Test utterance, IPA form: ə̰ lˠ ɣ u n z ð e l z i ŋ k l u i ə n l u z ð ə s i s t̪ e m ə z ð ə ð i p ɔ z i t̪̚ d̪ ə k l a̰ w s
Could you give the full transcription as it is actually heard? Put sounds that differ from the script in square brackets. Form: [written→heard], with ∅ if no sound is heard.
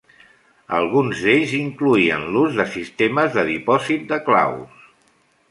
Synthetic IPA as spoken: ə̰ lˠ ɣ u n z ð e [l→ʎ] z i ŋ k l u i ə n l u z ð ə s i s t̪ e m ə z ð ə ð i p ɔ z i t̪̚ d̪ ə k l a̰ w s